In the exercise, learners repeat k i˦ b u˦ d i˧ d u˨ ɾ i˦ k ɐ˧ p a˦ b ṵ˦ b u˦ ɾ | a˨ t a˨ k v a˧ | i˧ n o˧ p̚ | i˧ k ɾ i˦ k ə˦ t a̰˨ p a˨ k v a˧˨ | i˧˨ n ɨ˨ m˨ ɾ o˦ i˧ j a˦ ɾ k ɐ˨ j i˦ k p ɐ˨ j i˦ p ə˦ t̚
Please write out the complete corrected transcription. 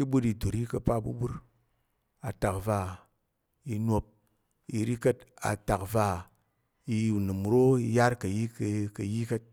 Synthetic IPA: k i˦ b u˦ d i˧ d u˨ ɾ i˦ k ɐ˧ p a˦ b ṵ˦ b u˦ ɾ | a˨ t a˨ k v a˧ | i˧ n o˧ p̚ | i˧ ɾ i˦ k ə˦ t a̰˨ t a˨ k v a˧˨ | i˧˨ n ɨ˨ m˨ ɾ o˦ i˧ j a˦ ɾ k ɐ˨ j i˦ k k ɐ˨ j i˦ k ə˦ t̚